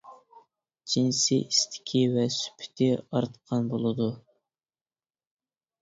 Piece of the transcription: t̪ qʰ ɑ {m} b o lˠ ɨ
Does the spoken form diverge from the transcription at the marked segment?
yes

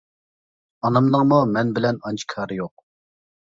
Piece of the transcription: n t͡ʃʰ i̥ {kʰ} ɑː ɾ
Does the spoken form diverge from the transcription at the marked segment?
no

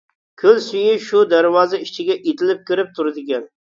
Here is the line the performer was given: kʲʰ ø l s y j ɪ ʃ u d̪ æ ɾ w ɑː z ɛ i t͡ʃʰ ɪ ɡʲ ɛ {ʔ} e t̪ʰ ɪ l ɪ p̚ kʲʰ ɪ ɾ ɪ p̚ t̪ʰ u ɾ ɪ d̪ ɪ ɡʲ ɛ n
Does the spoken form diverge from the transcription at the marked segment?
no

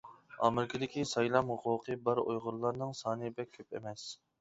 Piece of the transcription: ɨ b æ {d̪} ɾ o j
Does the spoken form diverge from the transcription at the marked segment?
yes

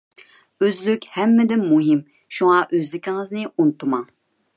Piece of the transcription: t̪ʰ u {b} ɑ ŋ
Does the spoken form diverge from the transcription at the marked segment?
yes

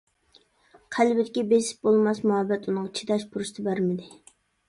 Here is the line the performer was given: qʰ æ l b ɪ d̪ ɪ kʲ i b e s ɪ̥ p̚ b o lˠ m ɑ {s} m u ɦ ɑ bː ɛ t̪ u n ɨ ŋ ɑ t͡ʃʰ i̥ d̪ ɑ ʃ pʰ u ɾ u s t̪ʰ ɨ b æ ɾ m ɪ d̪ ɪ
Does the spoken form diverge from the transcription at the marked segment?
no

